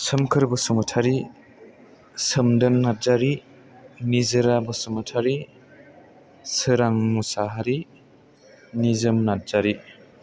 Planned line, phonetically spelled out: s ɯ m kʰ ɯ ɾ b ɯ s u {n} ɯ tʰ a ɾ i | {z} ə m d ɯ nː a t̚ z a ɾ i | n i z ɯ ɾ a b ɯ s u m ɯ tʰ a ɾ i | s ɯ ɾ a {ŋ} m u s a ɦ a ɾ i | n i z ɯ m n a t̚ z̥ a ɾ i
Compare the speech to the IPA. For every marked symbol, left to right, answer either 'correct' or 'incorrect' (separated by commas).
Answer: incorrect, incorrect, correct